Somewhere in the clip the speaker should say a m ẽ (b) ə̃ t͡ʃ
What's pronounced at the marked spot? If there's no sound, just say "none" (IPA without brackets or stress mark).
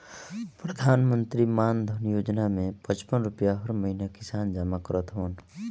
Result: p